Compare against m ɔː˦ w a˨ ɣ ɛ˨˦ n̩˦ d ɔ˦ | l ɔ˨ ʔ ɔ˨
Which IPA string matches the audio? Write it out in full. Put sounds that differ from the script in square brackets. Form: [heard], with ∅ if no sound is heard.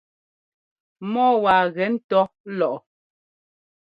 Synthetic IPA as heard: m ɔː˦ w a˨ ɣ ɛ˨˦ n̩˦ [t] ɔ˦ | l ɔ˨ ʔ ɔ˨